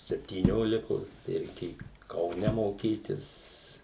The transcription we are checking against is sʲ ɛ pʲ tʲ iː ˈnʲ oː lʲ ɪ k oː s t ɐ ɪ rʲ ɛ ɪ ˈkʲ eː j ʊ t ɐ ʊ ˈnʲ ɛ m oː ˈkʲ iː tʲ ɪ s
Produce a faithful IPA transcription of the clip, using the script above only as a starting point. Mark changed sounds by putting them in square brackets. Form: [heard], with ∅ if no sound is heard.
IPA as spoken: sʲ ɛ pʲ tʲ iː ˈnʲ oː lʲ ɪ k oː s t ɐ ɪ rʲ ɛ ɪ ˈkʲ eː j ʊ [k] ɐ ʊ ˈnʲ ɛ m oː ˈkʲ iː tʲ ɪ s